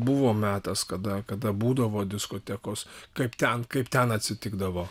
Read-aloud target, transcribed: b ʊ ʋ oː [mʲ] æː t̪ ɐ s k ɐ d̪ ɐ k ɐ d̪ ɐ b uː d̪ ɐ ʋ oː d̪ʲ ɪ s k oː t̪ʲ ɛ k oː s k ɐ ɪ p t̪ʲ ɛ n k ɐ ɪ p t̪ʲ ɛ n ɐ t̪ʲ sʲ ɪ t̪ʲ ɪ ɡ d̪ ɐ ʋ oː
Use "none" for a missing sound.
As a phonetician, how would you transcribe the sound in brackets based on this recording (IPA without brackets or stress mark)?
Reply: mʲ